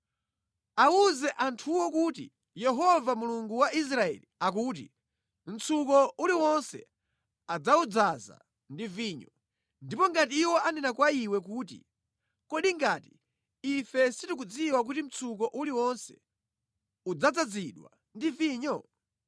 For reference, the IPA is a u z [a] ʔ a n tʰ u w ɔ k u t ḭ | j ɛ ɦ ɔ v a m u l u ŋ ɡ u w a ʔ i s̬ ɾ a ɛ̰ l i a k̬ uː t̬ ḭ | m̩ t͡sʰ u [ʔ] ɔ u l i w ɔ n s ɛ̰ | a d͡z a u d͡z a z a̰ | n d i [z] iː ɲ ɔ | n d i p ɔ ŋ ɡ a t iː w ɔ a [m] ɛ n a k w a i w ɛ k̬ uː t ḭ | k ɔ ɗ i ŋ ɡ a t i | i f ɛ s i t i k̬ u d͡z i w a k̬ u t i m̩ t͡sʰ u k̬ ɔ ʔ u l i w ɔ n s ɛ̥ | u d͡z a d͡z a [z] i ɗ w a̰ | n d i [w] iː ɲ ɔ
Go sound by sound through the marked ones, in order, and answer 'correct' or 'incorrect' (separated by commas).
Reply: incorrect, incorrect, incorrect, incorrect, incorrect, incorrect